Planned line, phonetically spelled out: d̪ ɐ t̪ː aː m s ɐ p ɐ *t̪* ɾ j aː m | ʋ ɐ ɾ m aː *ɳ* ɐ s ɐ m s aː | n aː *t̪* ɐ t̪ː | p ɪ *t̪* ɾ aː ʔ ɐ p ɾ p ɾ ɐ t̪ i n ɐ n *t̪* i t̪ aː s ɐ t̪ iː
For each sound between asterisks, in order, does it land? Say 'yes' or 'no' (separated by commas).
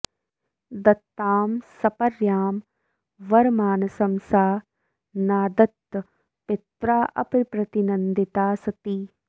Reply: no, no, no, yes, no